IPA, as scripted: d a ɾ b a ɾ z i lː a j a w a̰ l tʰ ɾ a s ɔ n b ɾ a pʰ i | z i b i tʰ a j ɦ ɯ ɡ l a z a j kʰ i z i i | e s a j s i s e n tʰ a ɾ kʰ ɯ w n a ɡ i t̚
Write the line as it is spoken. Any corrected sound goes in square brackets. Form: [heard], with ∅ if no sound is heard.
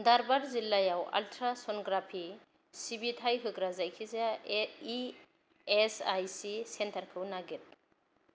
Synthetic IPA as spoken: d a ɾ b a ɾ z i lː a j a w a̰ l tʰ ɾ a s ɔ n [ɡ] ɾ a pʰ i | [s] i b i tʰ a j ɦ ɯ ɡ [ɾ] a z a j kʰ i z [a] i | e s a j s i s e n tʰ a ɾ kʰ ɯ w n a ɡ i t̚